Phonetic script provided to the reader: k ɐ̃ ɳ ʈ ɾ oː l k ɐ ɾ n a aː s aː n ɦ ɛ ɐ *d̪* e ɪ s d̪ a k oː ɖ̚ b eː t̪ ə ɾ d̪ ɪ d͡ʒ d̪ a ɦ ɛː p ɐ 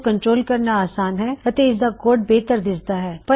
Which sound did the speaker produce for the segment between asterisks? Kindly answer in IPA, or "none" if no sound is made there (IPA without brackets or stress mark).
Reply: t̪